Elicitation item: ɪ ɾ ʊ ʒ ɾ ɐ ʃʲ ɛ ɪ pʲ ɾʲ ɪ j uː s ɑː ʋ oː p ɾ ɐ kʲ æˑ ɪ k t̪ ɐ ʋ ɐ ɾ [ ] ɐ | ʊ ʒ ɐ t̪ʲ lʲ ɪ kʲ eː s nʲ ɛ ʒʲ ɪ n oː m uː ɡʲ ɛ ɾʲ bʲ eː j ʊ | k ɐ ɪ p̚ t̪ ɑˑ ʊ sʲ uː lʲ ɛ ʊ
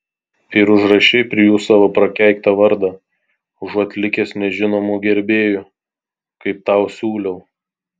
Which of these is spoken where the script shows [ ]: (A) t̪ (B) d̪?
B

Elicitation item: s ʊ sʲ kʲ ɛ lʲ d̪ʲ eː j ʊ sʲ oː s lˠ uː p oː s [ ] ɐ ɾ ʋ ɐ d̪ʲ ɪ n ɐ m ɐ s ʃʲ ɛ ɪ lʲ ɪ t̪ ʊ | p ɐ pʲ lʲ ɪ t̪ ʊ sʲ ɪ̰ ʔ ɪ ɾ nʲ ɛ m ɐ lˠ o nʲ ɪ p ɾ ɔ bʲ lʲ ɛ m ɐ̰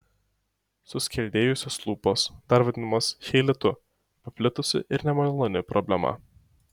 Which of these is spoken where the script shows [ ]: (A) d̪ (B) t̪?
A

